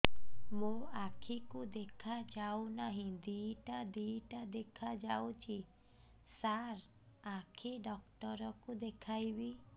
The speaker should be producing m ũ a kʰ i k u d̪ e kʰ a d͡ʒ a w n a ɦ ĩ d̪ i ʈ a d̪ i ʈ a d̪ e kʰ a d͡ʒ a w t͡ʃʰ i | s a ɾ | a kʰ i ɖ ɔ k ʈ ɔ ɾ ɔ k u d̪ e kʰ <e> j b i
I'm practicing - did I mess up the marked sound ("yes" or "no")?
yes